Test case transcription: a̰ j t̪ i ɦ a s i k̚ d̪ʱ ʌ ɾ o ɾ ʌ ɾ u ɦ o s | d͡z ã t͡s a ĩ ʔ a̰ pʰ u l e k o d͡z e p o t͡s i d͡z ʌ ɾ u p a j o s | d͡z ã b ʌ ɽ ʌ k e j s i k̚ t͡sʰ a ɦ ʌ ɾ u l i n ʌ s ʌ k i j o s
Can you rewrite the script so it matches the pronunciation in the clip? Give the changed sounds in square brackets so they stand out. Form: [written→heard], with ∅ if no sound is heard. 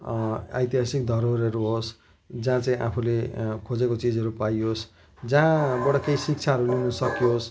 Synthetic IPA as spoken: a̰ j t̪ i ɦ a s i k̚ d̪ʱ ʌ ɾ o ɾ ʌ ɾ u ɦ o s | d͡z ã t͡s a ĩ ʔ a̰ pʰ u l e [k→kʰ] o d͡z e [p→k] o t͡s i d͡z ʌ ɾ u p a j o s | d͡z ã b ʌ ɽ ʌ k e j s i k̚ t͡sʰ a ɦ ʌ ɾ u l i n ʌ s ʌ k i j o s